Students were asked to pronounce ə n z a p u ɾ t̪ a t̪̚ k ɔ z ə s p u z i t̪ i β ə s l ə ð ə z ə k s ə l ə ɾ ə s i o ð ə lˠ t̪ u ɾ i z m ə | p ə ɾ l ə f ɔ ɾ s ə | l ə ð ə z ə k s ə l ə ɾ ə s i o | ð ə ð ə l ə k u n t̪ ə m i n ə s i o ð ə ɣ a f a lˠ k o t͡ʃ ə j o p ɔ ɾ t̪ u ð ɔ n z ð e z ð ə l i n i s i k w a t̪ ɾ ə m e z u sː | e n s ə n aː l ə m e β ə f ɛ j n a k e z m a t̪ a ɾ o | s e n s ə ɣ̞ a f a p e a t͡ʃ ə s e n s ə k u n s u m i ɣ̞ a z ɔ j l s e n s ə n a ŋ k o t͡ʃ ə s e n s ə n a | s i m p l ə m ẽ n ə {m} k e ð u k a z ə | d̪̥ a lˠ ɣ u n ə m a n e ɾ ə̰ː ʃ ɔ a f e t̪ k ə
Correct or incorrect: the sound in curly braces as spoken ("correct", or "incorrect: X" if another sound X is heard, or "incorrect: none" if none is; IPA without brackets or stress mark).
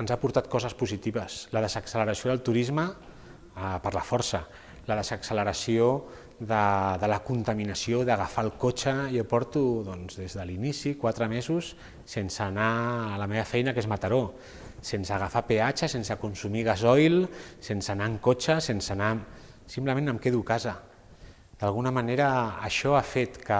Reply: correct